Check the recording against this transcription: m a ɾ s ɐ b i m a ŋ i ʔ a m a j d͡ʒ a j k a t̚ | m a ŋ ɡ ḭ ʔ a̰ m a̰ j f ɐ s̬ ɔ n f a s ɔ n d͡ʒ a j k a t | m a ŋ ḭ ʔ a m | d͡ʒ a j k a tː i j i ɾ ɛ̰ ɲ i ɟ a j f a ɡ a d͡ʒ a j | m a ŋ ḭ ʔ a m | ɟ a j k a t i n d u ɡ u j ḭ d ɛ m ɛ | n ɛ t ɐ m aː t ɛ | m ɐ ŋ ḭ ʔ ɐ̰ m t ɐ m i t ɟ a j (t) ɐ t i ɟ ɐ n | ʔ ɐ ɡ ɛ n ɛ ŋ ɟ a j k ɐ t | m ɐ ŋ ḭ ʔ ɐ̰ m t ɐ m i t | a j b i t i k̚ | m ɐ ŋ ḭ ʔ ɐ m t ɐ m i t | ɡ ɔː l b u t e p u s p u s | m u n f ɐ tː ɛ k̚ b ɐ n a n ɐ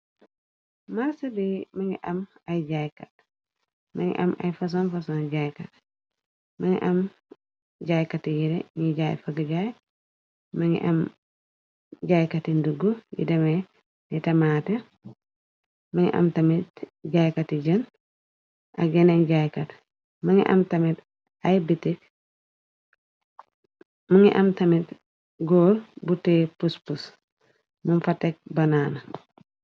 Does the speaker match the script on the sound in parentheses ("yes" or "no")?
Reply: no